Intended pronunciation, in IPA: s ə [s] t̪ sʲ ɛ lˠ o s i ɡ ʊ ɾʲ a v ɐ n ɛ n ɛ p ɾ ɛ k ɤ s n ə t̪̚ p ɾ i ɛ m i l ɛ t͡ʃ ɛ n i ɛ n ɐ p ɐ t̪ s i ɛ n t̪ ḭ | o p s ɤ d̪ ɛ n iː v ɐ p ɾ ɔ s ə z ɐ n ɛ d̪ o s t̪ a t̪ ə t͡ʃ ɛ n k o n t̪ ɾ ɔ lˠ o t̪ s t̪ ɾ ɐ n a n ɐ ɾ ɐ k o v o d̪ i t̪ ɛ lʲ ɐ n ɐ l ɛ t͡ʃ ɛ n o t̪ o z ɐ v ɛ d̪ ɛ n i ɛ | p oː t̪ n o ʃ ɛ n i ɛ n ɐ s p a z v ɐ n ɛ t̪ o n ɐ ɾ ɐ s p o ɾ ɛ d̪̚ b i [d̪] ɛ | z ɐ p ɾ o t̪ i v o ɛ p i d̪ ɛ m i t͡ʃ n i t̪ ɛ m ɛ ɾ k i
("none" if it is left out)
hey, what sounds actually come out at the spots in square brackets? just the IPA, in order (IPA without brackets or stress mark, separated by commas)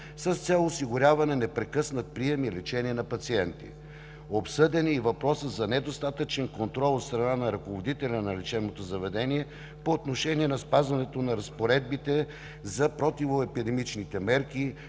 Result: s, t̪